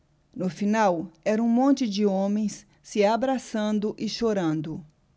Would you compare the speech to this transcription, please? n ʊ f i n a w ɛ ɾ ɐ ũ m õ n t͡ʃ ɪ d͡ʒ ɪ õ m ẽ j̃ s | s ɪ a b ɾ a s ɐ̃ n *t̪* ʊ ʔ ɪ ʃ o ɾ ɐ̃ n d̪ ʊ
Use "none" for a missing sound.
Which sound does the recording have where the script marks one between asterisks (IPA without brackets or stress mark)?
d̪